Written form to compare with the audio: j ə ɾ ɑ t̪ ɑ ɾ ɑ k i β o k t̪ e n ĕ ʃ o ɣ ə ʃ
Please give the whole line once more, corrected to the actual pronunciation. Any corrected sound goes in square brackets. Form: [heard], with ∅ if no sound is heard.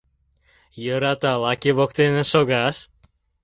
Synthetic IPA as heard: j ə ɾ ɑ t̪ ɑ [l] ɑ k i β o k t̪ e n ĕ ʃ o ɣ [ɑ] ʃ